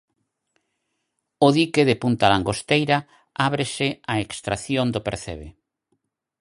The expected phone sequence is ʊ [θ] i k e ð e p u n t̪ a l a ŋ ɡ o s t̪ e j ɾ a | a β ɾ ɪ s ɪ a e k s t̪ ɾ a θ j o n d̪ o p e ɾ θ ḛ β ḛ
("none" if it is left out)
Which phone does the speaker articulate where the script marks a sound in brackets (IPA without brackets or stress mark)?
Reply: ð